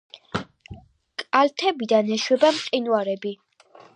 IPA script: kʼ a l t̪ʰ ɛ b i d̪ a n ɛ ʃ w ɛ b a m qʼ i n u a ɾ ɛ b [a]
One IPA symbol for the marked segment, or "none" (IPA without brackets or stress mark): i